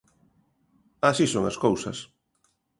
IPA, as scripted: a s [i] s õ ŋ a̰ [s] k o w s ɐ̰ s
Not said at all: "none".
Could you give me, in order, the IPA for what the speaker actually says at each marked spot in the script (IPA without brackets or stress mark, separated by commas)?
i, s